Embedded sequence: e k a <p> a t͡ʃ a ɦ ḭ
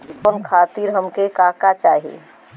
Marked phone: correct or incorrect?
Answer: incorrect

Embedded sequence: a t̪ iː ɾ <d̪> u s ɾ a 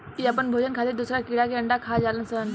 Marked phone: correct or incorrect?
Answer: correct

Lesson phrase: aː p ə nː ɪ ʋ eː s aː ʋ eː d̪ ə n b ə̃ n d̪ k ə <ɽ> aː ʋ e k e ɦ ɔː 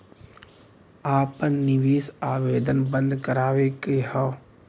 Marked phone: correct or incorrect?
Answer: incorrect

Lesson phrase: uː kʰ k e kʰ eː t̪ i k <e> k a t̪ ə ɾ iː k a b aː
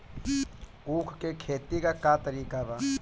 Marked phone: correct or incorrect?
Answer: incorrect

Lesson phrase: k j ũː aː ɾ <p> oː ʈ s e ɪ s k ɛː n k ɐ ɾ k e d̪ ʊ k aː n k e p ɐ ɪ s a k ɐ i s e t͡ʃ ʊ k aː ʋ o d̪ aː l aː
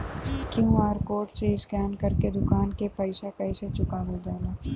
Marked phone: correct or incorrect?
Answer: incorrect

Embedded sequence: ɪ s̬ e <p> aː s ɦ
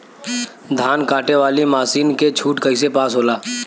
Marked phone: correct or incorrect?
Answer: correct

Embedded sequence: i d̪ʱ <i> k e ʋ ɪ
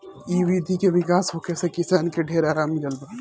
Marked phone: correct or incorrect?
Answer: correct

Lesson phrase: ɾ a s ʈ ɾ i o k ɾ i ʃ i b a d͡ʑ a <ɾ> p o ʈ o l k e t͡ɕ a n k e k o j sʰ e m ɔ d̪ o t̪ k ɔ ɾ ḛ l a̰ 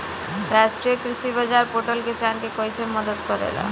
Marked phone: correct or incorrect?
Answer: correct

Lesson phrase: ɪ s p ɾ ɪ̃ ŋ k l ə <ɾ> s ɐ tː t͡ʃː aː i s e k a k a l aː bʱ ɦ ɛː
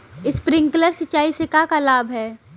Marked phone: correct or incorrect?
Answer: correct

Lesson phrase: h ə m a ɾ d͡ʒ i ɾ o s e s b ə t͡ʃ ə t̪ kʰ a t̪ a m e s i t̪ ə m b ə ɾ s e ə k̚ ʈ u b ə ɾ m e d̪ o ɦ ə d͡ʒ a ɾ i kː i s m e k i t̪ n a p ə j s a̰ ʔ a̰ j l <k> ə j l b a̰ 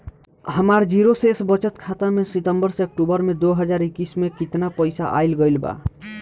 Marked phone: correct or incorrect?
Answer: incorrect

